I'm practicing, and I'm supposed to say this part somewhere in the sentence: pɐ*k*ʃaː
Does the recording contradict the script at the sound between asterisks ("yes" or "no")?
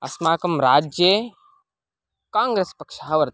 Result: no